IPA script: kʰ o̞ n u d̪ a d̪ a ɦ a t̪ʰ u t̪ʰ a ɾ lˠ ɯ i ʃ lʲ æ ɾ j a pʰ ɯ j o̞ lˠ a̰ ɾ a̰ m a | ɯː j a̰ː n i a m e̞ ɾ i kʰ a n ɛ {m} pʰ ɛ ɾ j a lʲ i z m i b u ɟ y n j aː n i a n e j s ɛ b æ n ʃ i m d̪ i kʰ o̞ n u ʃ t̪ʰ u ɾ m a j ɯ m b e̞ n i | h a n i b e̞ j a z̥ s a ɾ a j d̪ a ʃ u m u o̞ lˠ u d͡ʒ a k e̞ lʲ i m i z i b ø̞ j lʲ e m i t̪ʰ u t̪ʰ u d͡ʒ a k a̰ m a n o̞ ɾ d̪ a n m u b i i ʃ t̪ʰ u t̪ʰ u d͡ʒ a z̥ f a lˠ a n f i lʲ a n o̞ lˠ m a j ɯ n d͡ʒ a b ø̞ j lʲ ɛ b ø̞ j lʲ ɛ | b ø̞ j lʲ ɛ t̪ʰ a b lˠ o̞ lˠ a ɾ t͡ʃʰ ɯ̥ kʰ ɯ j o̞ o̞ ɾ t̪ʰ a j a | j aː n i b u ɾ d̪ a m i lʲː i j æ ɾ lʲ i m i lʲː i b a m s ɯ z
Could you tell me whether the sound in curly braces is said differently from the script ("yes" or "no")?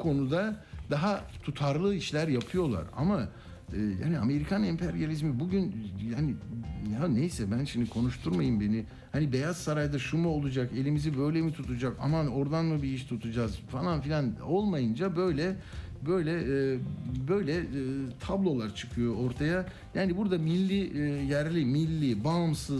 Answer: no